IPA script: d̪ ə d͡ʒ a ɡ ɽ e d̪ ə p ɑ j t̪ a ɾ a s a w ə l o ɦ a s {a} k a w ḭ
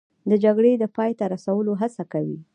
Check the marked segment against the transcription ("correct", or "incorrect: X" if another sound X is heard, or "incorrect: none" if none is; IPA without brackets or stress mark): correct